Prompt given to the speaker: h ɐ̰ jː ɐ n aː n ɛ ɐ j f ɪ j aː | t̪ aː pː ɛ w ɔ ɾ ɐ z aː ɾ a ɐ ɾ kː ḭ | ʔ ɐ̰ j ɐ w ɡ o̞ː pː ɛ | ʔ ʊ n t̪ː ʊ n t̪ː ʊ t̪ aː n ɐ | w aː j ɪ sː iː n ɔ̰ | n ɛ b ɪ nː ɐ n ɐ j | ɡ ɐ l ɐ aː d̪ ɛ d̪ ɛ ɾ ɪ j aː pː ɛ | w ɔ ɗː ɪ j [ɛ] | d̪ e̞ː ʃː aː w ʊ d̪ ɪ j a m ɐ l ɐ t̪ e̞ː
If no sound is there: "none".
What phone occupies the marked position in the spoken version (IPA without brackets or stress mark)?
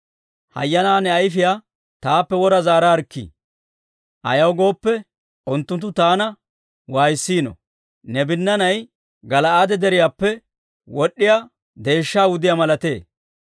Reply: a